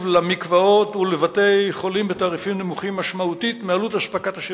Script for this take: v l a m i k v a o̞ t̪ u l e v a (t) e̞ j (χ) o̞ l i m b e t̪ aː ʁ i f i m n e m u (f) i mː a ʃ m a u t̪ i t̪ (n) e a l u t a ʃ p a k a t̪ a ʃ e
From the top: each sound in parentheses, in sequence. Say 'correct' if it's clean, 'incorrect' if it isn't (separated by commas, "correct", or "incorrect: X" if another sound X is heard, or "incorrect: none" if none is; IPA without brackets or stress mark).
correct, correct, incorrect: χ, incorrect: m